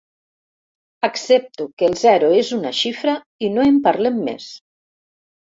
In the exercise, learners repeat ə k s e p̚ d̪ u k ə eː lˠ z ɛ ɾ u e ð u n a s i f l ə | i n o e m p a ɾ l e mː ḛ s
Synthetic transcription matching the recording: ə k s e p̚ t̪ u k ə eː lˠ z ɛ ɾ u e z u n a ʃ i f ɾ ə | i n o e m p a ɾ l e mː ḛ s

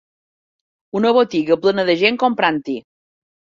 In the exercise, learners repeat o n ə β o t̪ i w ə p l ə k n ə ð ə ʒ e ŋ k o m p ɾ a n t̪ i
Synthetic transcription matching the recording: u n ə β o t̪ i ɣ ə p l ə n ə ð ə ʒ e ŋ k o m p ɾ a n t̪ i

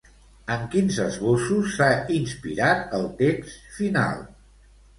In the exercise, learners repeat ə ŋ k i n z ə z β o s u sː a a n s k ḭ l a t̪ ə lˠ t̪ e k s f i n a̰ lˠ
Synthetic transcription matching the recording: ə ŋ k i n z ə z β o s u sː a i n s p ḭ ɾ a t̪ ə lˠ t̪ e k s f i n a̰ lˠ

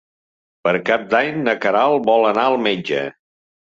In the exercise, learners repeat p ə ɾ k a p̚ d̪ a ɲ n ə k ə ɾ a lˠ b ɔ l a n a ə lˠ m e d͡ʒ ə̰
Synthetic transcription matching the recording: p ə ɾ k a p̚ d̪ a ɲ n ə k ə ɾ a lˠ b ɔ l ə n a ə lˠ m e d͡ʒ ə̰

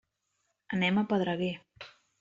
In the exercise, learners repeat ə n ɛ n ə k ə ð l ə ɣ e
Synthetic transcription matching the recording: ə n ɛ m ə p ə ð ɾ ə ɣ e

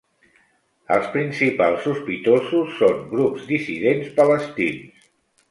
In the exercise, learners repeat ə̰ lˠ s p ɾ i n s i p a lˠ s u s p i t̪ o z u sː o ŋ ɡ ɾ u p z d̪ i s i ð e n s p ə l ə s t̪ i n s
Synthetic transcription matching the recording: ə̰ lˠ s p ɾ i n s i p a lˠ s u s p i t̪ o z u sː o ŋ ɡ ɾ u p z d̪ i s i ð e n s p ə l ə s t̪ i n s

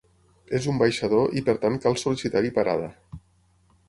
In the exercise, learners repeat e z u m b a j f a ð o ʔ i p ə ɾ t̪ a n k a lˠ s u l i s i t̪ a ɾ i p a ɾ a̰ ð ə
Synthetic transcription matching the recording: e z u m b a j ʃ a ð o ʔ i p ə ɾ t̪ a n k a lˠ s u l i s i t̪ a ɾ i p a ɾ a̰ ð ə

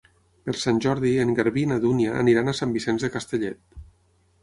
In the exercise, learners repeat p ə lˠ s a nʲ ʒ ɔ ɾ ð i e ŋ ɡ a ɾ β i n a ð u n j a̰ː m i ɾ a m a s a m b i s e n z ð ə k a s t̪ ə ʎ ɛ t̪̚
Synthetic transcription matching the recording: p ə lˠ s a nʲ ʒ ɔ ɾ ð i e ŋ ɡ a ɾ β i n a ð u n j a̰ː n i ɾ a n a s a m b i s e n z ð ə k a s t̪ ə ʎ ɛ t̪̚

